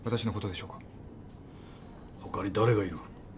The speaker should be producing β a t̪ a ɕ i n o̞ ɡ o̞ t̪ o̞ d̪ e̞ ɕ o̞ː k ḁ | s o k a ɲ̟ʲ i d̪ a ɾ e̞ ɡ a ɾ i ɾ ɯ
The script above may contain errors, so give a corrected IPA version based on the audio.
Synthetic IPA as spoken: β a t̪ a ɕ i n o̞ k o̞ t̪ o̞ d̪ e̞ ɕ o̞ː k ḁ | h o k a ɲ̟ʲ i d̪ a ɾ e̞ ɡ a i ɾ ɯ